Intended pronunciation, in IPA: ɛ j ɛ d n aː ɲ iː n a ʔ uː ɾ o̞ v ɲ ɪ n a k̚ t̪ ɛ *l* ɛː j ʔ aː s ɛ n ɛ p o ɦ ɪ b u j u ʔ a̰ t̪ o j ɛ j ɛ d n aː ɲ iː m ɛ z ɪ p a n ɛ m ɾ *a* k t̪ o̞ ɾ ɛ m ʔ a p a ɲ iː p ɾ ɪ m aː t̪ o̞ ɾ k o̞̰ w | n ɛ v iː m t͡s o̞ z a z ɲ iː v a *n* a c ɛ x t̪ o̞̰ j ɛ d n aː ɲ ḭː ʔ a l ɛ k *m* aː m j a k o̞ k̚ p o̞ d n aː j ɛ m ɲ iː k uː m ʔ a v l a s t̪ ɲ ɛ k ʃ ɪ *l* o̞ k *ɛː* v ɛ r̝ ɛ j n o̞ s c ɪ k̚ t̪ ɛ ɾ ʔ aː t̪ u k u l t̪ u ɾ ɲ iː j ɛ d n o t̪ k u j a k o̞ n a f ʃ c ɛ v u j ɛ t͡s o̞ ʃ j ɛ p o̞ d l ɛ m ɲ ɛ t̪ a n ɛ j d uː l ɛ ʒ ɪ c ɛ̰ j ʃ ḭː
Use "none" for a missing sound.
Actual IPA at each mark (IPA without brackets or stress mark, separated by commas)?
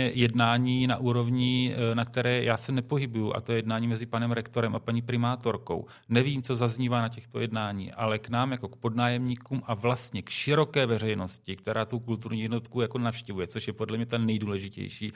ɾ, ɛ, n, n, ɾ, ɛː